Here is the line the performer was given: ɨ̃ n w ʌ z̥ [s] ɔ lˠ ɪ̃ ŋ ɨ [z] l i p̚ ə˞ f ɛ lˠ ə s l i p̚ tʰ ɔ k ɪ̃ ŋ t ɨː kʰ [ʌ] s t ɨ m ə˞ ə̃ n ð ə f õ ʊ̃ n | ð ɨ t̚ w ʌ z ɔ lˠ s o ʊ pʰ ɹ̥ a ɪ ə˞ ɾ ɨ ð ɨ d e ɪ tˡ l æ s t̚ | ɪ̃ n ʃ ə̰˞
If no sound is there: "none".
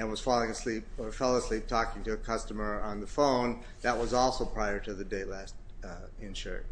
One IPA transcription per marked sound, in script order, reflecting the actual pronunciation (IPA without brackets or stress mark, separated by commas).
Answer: f, s, ʌ